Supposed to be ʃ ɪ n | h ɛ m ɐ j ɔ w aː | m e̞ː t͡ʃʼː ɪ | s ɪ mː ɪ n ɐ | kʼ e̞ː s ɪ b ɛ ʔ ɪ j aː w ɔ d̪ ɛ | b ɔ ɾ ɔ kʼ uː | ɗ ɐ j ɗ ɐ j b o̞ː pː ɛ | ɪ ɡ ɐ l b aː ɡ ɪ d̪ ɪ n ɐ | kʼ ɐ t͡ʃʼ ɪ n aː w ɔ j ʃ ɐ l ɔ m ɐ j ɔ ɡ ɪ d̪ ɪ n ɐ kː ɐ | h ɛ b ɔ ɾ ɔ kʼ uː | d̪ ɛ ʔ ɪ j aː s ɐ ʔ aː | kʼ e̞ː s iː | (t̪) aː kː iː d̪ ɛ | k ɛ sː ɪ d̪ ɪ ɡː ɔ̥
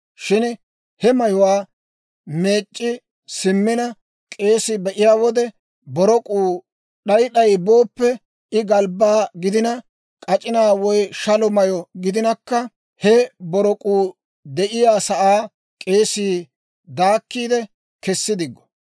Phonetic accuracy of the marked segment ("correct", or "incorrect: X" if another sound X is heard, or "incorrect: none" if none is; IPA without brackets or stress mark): incorrect: d̪